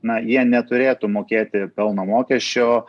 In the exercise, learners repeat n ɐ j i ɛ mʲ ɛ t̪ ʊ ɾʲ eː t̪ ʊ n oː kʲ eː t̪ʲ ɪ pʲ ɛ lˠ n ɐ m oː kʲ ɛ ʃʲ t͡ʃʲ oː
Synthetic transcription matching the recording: n ɐ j i ɛ nʲ ɛ t̪ ʊ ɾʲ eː t̪ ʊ m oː kʲ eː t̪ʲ ɪ pʲ ɛ lˠ n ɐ m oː kʲ ɛ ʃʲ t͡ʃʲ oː

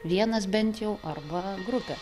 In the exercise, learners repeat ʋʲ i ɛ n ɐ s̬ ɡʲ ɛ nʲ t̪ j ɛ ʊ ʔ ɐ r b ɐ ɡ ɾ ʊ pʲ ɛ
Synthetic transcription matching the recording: ʋʲ i ɛ n ɐ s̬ bʲ ɛ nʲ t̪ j ɛ ʊ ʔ ɐ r b ɐ ɡ ɾ ʊ pʲ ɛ

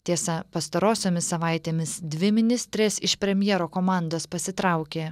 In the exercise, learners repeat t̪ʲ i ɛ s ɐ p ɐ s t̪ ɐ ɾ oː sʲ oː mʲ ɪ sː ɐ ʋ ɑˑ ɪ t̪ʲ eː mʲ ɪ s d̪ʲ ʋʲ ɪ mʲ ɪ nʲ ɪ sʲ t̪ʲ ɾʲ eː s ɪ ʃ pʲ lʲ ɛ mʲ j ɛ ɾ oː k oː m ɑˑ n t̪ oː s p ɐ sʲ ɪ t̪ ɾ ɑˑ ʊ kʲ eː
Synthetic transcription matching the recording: t̪ʲ i ɛ s ɐ p ɐ s t̪ ɐ ɾ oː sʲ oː mʲ ɪ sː ɐ ʋ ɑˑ ɪ t̪ʲ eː mʲ ɪ s d̪ʲ ʋʲ ɪ mʲ ɪ nʲ ɪ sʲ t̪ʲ ɾʲ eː s ɪ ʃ pʲ ɾʲ ɛ mʲ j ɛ ɾ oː k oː m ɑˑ n d̪ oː s p ɐ sʲ ɪ t̪ ɾ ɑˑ ʊ kʲ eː

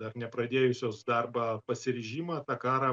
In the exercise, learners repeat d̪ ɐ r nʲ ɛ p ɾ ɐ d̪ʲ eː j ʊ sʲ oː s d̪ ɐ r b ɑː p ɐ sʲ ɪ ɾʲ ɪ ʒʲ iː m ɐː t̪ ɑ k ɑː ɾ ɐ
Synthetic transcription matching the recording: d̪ ɐ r nʲ ɛ p ɾ ɐ d̪ʲ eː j ʊ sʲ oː s d̪ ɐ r b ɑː p ɐ sʲ ɪ ɾʲ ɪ ʒʲ iː m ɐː t̪ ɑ k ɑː ɾ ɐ

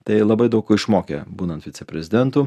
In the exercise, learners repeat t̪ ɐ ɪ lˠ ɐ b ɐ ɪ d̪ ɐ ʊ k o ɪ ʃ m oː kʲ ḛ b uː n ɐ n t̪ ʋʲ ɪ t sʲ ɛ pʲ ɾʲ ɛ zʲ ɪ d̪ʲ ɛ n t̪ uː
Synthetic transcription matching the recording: t̪ ɐ ɪ lˠ ɐ b ɐ ɪ d̪ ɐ ʊ k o ɪ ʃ m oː kʲ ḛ b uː n ɐ n t̪ ʋʲ ɪ t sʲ ɛ pʲ ɾʲ ɛ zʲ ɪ d̪ʲ ɛ n t̪ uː

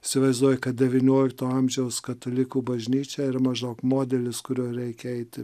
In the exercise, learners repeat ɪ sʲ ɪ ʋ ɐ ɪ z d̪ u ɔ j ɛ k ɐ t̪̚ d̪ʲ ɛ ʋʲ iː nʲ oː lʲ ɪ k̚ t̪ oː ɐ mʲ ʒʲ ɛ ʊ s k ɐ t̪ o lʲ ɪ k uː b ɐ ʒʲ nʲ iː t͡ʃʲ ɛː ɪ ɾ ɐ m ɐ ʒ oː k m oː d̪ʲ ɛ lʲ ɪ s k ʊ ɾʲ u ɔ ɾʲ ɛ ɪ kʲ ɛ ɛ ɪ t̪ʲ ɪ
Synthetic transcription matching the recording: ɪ sʲ ɪ ʋ ɐ ɪ z d̪ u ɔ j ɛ k ɐ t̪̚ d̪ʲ ɛ ʋʲ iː nʲ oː lʲ ɪ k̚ t̪ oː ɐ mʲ ʒʲ ɛ ʊ s k ɐ t̪ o lʲ ɪ k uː b ɐ ʒʲ nʲ iː t͡ʃʲ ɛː ɪ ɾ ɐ m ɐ ʒ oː k m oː d̪ʲ ɛ lʲ ɪ s k ʊ ɾʲ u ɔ ɾʲ ɛ ɪ kʲ ɛ ɛ ɪ t̪ʲ ɪ

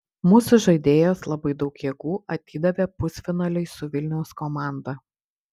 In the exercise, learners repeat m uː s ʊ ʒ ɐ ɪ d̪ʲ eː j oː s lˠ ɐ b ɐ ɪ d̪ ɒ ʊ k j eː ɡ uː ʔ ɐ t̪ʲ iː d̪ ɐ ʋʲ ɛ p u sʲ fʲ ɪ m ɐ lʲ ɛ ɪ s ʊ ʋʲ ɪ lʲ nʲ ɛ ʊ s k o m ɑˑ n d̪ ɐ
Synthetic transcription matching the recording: m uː s ʊ ʒ ɐ ɪ d̪ʲ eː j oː s lˠ ɐ b ɐ ɪ d̪ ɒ ʊ k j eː ɡ uː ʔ ɐ t̪ʲ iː d̪ ɐ ʋʲ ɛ p ʊ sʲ fʲ ɪ n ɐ lʲ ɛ ɪ s ʊ ʋʲ ɪ lʲ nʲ ɛ ʊ s k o m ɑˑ n d̪ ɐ

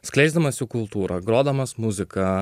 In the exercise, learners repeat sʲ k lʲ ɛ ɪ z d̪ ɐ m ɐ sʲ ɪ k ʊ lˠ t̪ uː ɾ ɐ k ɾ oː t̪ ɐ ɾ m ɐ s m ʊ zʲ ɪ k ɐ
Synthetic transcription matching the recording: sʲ k lʲ ɛ ɪ z d̪ ɐ m ɐ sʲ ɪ k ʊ lˠ t̪ uː ɾ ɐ ɡ ɾ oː d̪ ɐ m ɐ s m ʊ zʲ ɪ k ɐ

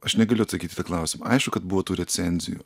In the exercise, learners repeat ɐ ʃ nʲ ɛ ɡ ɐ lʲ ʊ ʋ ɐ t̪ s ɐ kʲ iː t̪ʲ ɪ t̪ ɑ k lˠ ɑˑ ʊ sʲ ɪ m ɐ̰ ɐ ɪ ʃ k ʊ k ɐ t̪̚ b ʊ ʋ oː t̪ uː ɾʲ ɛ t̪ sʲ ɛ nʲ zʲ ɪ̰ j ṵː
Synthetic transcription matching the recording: ɐ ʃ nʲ ɛ ɡ ɐ lʲ ʊ ɐ t̪ s ɐ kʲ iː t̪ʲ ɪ t̪ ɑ k lˠ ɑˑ ʊ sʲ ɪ m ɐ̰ ɐ ɪ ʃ k ʊ k ɐ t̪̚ b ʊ ʋ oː t̪ uː ɾʲ ɛ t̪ sʲ ɛ nʲ zʲ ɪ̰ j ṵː

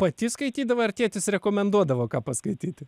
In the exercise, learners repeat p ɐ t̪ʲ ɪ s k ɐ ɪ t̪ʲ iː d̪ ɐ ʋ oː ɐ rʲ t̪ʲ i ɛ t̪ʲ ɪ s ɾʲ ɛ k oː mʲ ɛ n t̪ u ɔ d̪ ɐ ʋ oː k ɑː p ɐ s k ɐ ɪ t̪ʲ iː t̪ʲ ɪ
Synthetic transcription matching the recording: p ɐ t̪ʲ ɪ s k ɐ ɪ t̪ʲ iː d̪ ɐ ʋ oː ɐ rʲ t̪ʲ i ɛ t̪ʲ ɪ s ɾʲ ɛ k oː mʲ ɛ n d̪ u ɔ d̪ ɐ ʋ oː k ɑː p ɐ s k ɐ ɪ t̪ʲ iː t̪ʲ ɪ

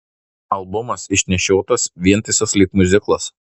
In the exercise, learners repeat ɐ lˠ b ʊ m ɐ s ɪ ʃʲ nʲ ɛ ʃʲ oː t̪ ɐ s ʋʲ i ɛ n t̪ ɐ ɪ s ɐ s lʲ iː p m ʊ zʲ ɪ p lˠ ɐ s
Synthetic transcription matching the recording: ɐ lˠ b ʊ m ɐ s ɪ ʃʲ nʲ ɛ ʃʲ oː t̪ ɐ s ʋʲ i ɛ n t̪ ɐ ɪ s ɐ s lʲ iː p m ʊ zʲ ɪ k lˠ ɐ s

